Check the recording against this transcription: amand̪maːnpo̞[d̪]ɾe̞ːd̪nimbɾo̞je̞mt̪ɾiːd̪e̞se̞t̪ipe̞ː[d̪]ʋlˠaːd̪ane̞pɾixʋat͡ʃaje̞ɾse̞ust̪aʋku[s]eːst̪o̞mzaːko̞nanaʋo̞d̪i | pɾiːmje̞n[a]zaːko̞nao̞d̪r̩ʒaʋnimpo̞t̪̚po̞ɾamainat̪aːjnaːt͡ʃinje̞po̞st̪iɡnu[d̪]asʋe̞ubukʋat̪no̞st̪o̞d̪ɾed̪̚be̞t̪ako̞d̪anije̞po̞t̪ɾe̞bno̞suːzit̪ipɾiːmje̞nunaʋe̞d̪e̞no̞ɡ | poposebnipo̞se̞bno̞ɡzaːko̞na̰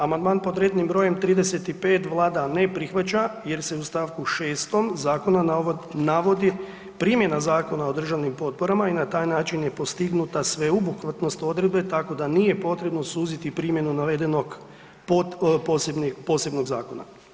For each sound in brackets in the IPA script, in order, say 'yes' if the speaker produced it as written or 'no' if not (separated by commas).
yes, no, no, yes, no